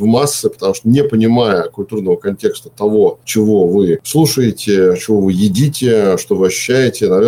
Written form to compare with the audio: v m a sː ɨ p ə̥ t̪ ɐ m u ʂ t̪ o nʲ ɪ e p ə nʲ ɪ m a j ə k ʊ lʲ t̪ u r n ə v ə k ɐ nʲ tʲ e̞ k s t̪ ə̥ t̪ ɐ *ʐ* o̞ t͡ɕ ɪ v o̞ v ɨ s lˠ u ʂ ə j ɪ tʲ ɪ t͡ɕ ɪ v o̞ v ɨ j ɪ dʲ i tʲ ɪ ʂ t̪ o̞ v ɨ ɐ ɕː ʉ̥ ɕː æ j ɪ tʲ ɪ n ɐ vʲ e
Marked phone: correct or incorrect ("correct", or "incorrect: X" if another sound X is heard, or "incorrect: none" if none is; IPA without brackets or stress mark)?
incorrect: v